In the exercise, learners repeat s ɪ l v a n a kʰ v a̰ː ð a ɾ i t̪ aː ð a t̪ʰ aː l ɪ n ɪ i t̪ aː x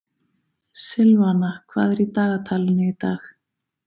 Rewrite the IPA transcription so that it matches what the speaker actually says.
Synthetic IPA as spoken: s ɪ l v a n a kʰ v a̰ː ð ɛ ɾ i t̪ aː ɣ a t̪ʰ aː l ɪ n ɪ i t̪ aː x